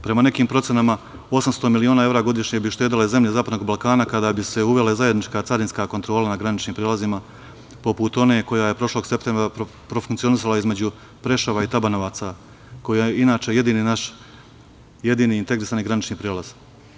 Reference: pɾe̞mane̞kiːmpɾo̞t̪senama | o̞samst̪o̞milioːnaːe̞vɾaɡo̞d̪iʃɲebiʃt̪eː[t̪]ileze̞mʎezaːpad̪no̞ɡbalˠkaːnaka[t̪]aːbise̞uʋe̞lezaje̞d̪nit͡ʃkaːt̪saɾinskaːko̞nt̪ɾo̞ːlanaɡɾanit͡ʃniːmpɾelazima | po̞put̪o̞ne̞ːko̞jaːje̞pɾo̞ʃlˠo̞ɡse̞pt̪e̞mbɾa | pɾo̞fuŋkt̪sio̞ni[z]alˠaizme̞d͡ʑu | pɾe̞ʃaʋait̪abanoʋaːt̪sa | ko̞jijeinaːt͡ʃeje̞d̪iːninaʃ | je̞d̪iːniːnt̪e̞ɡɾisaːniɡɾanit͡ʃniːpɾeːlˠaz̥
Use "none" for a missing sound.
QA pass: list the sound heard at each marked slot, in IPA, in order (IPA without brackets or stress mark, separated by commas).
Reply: d̪, d̪, s